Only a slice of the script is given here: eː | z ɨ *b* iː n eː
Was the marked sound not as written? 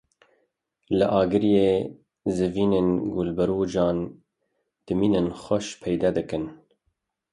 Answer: yes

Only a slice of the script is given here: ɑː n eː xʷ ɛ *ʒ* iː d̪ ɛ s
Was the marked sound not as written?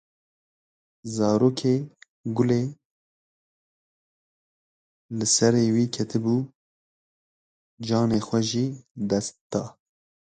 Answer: no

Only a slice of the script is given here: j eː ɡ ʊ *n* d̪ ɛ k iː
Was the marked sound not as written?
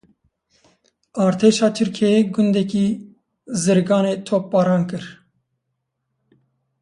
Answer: no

